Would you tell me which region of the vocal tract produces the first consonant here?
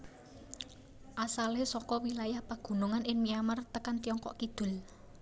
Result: throat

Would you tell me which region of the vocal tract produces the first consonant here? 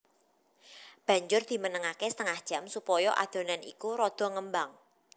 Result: lips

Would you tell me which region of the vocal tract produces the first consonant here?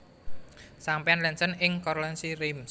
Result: tongue tip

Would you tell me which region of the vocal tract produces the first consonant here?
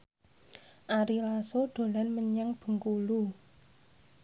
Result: throat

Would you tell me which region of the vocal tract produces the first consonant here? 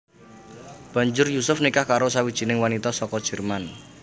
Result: lips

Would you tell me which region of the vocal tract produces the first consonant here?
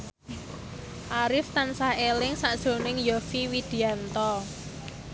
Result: throat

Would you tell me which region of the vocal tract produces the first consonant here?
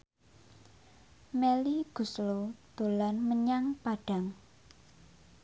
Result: lips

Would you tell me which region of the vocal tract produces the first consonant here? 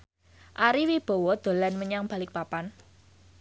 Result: throat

